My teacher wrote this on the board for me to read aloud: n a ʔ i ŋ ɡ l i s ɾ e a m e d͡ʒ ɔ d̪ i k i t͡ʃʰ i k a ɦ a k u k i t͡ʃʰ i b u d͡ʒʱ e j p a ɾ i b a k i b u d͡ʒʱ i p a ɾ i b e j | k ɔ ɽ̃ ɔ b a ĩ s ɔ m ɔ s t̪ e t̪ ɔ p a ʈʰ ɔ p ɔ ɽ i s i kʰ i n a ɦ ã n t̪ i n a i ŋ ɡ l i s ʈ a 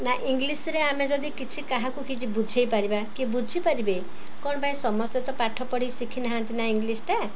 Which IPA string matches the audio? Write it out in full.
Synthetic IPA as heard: n a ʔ i ŋ ɡ l i s ɾ e a m e d͡ʒ ɔ d̪ i k i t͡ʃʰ i k a ɦ a k u k i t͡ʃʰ i b u d͡ʒʱ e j p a ɾ i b a k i b u d͡ʒʱ i p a ɾ i b e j | k ɔ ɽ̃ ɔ b a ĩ s ɔ m ɔ s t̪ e t̪ ɔ p a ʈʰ ɔ p ɔ ɽ i s i kʰ i n a ɦ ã n t̪ i n a i ŋ ɡ l i s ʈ a